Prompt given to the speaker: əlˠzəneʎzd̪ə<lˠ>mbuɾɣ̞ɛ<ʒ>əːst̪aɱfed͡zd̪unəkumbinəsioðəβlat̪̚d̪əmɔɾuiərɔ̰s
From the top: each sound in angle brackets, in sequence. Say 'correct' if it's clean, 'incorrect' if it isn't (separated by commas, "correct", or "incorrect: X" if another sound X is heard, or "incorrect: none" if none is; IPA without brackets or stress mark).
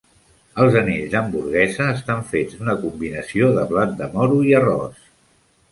incorrect: none, incorrect: z